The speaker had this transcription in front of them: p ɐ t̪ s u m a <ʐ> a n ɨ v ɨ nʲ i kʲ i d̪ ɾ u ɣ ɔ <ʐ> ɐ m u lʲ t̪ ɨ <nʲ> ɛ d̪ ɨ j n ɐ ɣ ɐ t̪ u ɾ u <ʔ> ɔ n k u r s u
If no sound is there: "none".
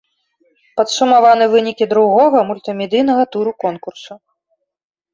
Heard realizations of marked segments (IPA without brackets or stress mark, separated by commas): v, ɣ, mʲ, k